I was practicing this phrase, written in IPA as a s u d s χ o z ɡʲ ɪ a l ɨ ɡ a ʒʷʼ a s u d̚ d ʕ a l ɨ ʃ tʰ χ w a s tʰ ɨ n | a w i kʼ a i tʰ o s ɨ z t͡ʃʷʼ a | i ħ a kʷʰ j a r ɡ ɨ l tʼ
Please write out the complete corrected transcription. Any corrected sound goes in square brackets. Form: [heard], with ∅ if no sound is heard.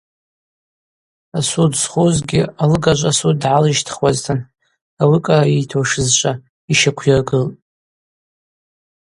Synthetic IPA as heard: a s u d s χ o z ɡʲ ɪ a l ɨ ɡ a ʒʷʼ a s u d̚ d ʕ a l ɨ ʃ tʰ χ w a [z] tʰ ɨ n | a w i kʼ a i tʰ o [ʂ] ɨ z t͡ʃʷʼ a | i [ʃ] a kʷʰ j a r ɡ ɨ l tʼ